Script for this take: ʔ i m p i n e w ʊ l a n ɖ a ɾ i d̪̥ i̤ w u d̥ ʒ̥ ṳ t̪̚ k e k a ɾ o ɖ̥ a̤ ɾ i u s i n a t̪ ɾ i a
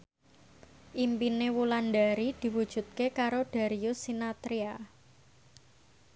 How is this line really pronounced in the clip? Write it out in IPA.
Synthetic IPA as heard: ʔ i m p i n e w u l a n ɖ a ɾ i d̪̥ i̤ w u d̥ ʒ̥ ṳ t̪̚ k e k a ɾ o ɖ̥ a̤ ɾ i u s i n a t̪ ɾ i a

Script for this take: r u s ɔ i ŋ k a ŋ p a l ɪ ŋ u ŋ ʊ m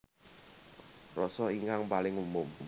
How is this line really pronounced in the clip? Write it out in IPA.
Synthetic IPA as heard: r ɔ s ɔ i ŋ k a ŋ p a l ɪ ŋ u m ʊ m

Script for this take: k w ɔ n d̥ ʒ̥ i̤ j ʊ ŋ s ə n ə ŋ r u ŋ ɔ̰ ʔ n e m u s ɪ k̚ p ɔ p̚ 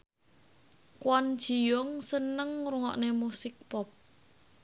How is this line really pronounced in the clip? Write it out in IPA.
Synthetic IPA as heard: k w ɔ n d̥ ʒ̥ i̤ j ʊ ŋ s ə n ə ŋ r u ŋ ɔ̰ ʔ n e m u s ɪ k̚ p ɔ p̚

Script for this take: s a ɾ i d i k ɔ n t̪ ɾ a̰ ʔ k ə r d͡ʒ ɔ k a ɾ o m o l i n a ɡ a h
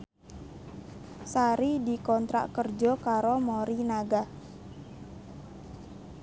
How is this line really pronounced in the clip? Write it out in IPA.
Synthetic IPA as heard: s a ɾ i d i k ɔ n t̪ ɾ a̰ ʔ k ə r d͡ʒ ɔ k a ɾ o m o ɾ i n a ɡ a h

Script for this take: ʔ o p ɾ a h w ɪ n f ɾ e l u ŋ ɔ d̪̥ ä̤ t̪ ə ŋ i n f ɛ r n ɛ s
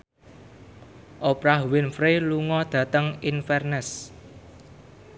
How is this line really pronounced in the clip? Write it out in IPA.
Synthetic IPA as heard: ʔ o p ɾ a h w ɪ n f ɾ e l u ŋ ɔ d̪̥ ä̤ t̪ ə ŋ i n f ɛ r n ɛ s

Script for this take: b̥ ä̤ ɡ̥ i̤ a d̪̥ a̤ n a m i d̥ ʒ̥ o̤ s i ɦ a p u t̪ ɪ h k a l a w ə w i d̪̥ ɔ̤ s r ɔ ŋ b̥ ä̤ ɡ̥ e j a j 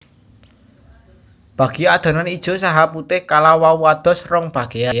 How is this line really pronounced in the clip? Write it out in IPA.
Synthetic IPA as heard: b̥ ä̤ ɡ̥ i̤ a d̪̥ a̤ n a n i d̥ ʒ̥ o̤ s a ɦ a p u t̪ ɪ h k a l a w a w a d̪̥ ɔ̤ s r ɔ ŋ b̥ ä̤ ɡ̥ e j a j

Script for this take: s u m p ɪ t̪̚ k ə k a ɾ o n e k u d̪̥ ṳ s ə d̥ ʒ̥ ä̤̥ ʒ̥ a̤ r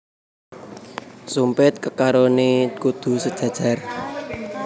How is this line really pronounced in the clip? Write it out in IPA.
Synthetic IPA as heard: s u m p ɪ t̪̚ k ə k a ɾ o n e k u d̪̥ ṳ s ə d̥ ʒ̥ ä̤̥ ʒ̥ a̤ r

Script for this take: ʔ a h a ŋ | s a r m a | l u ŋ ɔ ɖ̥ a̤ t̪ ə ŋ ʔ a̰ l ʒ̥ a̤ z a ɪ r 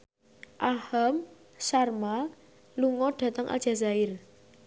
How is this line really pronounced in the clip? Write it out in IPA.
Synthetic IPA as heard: ʔ a h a m | s a r m a | l u ŋ ɔ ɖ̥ a̤ t̪ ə ŋ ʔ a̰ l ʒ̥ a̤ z a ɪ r

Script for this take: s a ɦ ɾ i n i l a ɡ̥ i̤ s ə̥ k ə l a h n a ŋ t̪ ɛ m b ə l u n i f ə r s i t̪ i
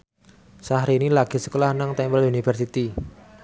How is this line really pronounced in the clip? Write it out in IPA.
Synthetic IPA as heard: s a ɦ ɾ i n i l a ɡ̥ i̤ s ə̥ k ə l a h n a ŋ t̪ ɛ m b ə l u n i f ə r s i t̪ i

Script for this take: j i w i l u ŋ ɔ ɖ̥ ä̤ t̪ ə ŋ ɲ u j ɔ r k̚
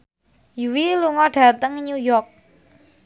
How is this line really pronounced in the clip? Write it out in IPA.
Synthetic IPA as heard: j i w i l u ŋ ɔ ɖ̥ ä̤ t̪ ə ŋ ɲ u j ɔ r k̚

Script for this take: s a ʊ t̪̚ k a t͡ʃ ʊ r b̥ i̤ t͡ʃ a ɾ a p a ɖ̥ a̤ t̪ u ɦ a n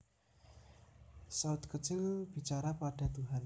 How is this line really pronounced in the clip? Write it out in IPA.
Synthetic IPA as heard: s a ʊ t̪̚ k ə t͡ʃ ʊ l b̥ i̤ t͡ʃ a ɾ a p a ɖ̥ a̤ t̪ u ɦ a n

